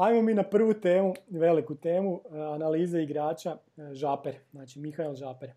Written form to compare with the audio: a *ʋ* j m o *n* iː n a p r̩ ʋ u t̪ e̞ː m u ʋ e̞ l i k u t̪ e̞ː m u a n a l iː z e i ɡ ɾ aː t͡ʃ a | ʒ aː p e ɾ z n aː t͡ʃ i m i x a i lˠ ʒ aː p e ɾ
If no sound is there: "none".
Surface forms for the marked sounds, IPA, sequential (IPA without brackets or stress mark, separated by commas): none, m